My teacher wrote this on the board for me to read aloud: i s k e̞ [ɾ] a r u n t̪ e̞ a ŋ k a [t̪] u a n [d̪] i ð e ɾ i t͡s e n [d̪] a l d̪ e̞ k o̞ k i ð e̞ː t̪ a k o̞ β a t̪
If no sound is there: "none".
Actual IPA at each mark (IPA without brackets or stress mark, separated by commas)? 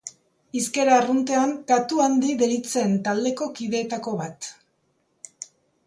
ɾ, t̪, d̪, t̪